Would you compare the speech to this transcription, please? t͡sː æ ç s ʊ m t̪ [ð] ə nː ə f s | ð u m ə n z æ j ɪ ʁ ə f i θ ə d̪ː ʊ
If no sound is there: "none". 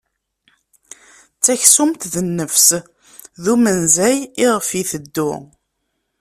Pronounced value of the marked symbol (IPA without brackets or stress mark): ð